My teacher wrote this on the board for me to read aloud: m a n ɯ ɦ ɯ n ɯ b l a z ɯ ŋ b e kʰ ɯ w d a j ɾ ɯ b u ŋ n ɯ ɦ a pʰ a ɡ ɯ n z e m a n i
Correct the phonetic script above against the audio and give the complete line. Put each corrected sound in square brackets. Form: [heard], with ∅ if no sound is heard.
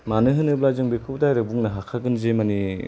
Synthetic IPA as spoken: m a n ɯ ɦ ɯ n ɯ b l a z ɯ ŋ b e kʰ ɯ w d a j ɾ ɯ b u ŋ n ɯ ɦ a [kʰ] a ɡ ɯ n z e m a n i